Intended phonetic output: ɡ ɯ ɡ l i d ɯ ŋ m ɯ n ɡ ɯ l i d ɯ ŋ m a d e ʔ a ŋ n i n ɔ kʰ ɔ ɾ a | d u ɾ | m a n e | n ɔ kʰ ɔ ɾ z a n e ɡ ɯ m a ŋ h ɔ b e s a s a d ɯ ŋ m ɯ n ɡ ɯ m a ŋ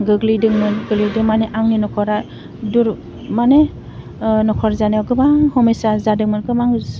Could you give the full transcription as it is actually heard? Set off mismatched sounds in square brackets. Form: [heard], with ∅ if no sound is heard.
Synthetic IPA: ɡ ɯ ɡ l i d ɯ ŋ m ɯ n ɡ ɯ l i d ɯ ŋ m a [n] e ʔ a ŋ n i n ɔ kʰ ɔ ɾ a | d u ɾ | m a n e | n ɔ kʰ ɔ ɾ z a n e ɡ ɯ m a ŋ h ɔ [m] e s a [z] a d ɯ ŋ m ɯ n ɡ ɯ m a ŋ